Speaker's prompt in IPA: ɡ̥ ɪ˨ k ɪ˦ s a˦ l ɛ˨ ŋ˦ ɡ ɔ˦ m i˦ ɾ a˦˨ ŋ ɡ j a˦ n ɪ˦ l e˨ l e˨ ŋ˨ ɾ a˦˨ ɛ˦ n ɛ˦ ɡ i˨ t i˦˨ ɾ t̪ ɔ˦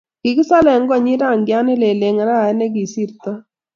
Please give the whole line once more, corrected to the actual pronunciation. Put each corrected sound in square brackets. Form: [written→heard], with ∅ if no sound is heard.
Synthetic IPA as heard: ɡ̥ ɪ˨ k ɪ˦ s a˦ l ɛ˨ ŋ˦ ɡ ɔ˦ [m→ɲ] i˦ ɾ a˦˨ ŋ ɡ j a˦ n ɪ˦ l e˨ l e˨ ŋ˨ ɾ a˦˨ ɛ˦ n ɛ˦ ɡ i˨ [t→s] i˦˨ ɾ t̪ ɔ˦